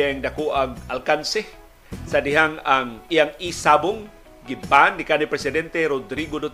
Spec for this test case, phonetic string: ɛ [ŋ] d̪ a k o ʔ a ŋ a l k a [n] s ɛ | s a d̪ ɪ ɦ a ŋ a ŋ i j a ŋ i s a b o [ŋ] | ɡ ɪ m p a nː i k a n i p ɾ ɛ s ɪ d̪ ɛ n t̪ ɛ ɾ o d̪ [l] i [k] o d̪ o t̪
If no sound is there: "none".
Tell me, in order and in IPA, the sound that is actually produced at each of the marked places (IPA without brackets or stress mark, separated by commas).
ŋ, n, ŋ, ɾ, ɡ